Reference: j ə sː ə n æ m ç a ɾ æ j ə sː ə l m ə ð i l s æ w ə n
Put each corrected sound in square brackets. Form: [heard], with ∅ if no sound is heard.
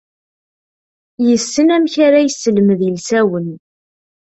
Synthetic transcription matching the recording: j ə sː ə n æ m ç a ɾ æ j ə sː ə l m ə ð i l s æ w ə n